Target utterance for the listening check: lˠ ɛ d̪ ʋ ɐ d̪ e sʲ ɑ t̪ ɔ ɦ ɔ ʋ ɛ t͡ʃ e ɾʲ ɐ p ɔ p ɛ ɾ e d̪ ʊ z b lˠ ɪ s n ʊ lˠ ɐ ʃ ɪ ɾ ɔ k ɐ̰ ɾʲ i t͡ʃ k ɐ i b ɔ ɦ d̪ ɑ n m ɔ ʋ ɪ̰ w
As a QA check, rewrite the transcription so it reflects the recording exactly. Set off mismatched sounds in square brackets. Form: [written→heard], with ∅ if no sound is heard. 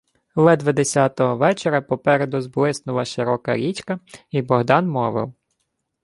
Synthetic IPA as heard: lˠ ɛ d̪ ʋ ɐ d̪ e sʲ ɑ t̪ ɔ ɦ ɔ ʋ ɛ t͡ʃ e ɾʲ ɐ p ɔ p ɛ ɾ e d̪ ʊ z b lˠ ɪ s n ʊ lˠ ɐ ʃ ɪ ɾ ɔ k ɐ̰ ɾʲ i t͡ʃ k ɐ i b ɔ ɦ d̪ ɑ n m ɔ ʋ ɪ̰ w